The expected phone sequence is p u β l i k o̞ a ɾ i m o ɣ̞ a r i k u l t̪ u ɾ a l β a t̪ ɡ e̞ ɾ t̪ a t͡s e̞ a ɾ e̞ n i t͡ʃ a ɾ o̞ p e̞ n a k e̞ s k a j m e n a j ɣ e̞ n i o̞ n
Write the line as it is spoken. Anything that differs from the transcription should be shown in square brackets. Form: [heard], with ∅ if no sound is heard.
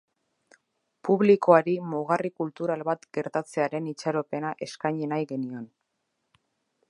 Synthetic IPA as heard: p u β l i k o̞ a ɾ i m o ɣ̞ a r i k u l t̪ u ɾ a l β a t̪ ɡ e̞ ɾ t̪ a t͡s e̞ a ɾ e̞ n i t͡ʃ a ɾ o̞ p e̞ n a [ʔ] e̞ s k a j [ɲ] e n a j ɣ e̞ n i o̞ n